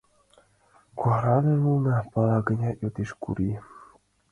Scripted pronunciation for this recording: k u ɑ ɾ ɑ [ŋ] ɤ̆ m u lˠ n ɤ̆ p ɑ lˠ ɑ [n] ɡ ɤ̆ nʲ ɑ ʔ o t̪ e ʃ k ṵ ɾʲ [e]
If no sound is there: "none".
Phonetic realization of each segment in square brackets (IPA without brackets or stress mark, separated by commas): n, none, i